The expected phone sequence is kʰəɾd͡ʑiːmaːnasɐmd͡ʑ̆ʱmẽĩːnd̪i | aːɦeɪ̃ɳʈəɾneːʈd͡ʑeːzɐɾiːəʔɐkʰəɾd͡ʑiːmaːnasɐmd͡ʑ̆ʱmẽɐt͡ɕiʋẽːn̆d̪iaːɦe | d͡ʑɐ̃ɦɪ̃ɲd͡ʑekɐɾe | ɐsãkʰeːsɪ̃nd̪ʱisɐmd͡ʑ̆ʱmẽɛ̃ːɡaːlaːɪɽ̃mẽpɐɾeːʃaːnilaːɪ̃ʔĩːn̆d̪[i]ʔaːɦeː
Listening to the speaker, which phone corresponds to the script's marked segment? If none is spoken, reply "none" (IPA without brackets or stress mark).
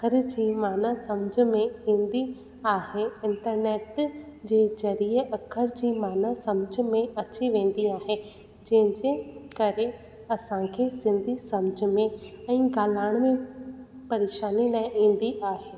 i